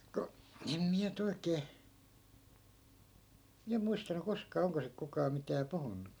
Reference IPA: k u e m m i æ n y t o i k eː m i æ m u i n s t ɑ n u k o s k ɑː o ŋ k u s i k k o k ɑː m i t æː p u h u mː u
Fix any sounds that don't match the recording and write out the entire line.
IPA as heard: k u e m m i æ n y t o i k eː m i æ m u i s t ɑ n u k o s k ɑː o ŋ k o s i k k u k ɑː m i t æː p u h u nː u

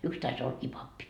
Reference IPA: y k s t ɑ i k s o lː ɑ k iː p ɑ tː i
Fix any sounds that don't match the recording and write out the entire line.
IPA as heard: y k s t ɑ i s o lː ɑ k iː p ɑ pː i

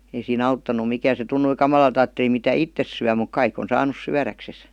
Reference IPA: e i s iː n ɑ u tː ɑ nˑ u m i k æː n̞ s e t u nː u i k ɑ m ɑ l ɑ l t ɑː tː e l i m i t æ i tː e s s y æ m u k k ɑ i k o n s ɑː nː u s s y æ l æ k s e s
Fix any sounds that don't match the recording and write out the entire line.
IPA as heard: e i s iː n ɑ u tː ɑ nˑ u m i k æː n̞ s e t u nː u i k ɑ m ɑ l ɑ l t ɑː tː e l i m i t æ i tː e s s y æ m u k k ɑ i k o n s ɑː n u s s y æ r æ k s e s

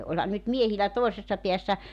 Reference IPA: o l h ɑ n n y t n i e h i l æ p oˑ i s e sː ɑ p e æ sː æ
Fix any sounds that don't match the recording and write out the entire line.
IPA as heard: o l h ɑ n n y t m i e h i l æ t oˑ i s e sː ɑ p i æ sː æ

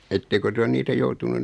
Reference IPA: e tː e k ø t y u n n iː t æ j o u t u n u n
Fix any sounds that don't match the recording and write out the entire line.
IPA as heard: e tː e k ø t y o n n iː t æ j o u t u n u n

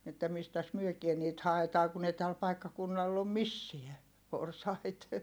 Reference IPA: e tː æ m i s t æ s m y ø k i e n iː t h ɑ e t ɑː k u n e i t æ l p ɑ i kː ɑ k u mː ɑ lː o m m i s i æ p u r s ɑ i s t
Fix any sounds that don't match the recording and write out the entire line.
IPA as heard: e tː æ m i s t æ s m y ø k i e n iː t h ɑ e t ɑː k u n e i t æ l p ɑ i kː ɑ k u nː ɑ lː o m m i sː i æ p o r s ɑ i t

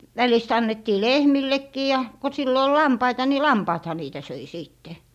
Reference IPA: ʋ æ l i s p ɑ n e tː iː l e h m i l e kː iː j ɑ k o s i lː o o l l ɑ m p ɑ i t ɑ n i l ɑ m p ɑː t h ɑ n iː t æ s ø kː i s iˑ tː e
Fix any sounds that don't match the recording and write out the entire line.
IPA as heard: ʋ æ l i s t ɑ nː e tː iː l e h m i lː e kː iː j ɑ k o s i lː o o l l ɑ m p ɑ i t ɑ n i l ɑ m p ɑː t h ɑ n iː t æ s ø i s iˑ tː e

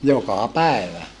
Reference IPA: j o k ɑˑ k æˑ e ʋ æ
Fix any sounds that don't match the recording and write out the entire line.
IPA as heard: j o k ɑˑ p æˑ e ʋ æ

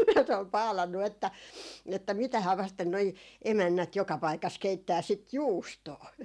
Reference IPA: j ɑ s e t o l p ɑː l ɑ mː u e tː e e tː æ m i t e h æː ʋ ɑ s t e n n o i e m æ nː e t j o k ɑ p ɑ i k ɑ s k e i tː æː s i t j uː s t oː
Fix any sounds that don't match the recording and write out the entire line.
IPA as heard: j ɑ s e o l p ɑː l ɑ nː u e tː æ e tː æ m i t æ h æː ʋ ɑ s t e n n o i e m æ nː æ t j o k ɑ p ɑ i k ɑ s k e i tː æː s i t j uː s t oː

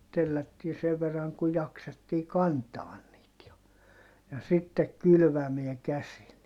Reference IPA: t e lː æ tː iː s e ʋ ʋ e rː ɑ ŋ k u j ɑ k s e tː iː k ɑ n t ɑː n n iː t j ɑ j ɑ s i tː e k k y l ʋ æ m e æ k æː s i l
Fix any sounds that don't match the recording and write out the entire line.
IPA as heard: t e lː æ tː iː s e ʋ ʋ e rː ɑ ŋ k u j ɑ k s e tː iː k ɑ n t ɑː n n iː t j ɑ j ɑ s i tː e k k y l ʋ æ m e æ k æ s i l

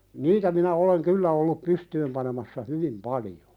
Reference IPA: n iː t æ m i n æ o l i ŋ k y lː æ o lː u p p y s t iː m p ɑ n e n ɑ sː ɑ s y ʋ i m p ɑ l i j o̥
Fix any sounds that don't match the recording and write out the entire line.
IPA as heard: n iː t æ m i n æ o l e ŋ k y lː æ o lː u p p y s t yː m p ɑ n e m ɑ sː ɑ h y ʋ i m p ɑ l i j o̥

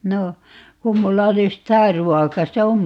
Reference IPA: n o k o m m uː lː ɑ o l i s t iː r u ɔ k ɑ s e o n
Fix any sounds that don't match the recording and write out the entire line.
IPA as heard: n o k u m m u lː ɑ o l i s t æː r u ɔ k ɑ s e o m

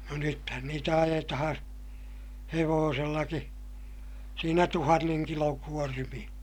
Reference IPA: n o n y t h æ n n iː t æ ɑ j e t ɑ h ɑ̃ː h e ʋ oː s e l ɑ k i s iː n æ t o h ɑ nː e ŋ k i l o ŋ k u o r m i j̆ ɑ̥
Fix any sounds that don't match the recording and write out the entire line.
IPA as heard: n o n y t h æ n n iː t æ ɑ j e t ɑ h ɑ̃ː h e ʋ oː s e lː ɑ k i s iː n æ t u h ɑ nː e ŋ k i l o ŋ k u o r m i j̆ ɑ̥

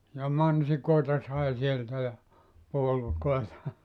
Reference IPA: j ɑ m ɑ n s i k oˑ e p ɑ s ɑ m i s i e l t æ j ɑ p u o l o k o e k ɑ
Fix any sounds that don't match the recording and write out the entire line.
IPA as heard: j ɑ m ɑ n s i k oˑ e t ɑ s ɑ i s i e l t æ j ɑ p u o l u k o e t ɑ

